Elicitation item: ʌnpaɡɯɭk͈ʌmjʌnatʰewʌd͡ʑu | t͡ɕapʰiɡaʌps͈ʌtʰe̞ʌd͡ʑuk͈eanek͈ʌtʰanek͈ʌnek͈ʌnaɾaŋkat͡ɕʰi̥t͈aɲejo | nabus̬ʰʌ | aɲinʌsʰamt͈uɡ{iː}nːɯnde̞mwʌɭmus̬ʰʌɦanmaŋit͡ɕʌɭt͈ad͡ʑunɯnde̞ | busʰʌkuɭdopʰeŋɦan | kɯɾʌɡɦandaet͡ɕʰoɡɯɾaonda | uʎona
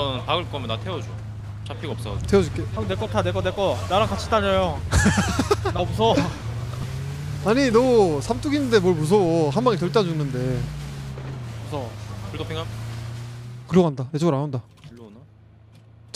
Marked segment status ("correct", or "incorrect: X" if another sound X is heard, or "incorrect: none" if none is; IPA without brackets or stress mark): incorrect: i